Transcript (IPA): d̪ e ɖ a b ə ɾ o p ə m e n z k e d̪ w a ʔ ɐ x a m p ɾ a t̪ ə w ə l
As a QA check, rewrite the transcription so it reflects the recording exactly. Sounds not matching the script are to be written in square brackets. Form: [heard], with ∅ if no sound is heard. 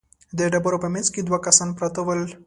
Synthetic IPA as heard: d̪ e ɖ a b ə ɾ o p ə m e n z k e d̪ w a [k] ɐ [s] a [n] p ɾ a t̪ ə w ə l